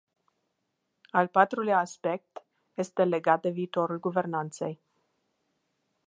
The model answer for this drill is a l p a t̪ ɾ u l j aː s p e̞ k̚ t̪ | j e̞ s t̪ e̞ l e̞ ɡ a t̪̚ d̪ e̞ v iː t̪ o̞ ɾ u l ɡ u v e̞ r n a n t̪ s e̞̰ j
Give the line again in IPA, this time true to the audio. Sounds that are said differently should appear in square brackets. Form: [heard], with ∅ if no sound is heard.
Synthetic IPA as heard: a l p a t̪ ɾ u l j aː s p e̞ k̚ t̪ | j e̞ s t̪ e̞ l e̞ ɡ a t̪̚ d̪ e̞ v iː t̪ o̞ ɾ u l ɡ u v e̞ r n a n t̪ s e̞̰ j

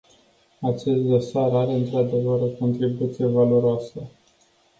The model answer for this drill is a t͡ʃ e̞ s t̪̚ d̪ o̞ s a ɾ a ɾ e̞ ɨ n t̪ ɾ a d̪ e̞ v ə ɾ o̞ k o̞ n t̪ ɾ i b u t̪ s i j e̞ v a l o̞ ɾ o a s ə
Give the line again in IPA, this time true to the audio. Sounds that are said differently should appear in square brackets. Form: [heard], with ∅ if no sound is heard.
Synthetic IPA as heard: a t͡ʃ e̞ s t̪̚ d̪ o̞ s a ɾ a ɾ e̞ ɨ n t̪ ɾ a d̪ e̞ v ə ɾ o̞ k o̞ n t̪ ɾ i b u t̪ s i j e̞ v a l o̞ ɾ o a s ə

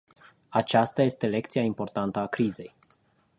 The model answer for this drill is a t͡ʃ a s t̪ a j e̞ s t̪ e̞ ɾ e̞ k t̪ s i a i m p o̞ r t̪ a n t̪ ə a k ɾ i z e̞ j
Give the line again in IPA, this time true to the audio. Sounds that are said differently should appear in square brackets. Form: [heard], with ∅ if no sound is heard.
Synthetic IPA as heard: a t͡ʃ a s t̪ a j e̞ s t̪ e̞ [l] e̞ k t̪ s i a i m p o̞ r t̪ a n t̪ ə a k ɾ i z e̞ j

